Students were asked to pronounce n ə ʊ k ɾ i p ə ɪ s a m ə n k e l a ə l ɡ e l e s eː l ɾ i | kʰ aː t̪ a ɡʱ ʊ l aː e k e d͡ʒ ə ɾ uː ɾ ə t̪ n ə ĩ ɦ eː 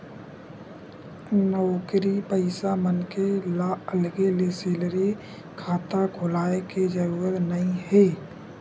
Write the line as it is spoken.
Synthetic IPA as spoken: n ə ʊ k ɾ i p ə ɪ s a m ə n k e l a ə l ɡ e l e s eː l ɾ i | kʰ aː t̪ a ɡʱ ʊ l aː e k e d͡ʒ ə ɾ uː ɾ ə t̪ n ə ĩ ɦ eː